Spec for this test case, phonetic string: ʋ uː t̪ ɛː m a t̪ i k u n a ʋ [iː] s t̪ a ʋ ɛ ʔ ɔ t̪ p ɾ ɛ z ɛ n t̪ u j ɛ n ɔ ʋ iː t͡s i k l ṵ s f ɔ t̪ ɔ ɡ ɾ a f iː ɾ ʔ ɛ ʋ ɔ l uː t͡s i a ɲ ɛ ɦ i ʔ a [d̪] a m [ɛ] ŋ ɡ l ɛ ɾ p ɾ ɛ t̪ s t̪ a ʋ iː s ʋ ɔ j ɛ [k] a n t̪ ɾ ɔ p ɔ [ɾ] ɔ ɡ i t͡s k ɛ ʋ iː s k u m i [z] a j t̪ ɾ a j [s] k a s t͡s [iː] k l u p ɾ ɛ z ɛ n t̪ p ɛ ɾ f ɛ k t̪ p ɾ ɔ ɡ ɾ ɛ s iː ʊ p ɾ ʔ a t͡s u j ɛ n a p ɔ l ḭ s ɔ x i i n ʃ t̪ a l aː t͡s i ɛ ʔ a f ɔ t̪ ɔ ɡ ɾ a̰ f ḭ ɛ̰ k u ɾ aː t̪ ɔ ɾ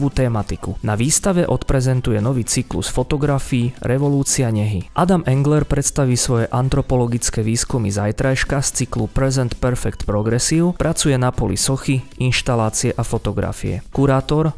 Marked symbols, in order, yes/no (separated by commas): yes, yes, yes, no, no, yes, no, no